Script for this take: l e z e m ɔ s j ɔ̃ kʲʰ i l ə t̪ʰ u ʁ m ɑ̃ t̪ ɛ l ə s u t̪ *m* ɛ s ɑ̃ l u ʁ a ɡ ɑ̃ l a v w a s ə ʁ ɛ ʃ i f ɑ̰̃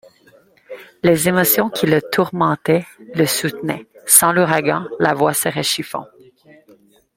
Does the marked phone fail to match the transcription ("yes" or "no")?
yes